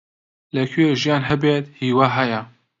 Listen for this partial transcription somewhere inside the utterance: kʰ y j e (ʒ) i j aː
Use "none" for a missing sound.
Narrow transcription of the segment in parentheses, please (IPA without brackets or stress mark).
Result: ʒ